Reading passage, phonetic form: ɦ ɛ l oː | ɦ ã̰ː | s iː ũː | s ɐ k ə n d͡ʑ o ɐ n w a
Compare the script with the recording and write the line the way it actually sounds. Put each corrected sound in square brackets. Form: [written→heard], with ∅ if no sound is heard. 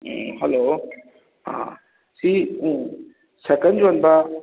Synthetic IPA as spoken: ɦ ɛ l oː | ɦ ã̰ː | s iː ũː | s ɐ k ə n d͡ʑ o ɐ n [w→b] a